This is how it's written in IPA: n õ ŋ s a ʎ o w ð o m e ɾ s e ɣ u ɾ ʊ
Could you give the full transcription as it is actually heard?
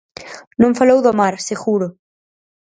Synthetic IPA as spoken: n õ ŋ f a l o w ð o m a ɾ s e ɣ u ɾ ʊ